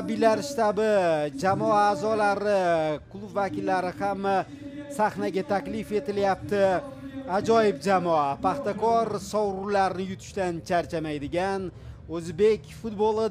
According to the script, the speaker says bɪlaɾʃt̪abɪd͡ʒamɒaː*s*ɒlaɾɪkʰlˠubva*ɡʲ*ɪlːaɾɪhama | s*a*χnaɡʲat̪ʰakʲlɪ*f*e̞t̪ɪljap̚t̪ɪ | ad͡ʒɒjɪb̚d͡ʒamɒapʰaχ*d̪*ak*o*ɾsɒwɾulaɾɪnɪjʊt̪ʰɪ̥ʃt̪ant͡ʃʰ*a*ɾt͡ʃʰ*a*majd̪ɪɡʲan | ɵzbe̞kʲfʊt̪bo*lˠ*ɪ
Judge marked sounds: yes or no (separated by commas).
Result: no, no, yes, yes, no, no, yes, yes, yes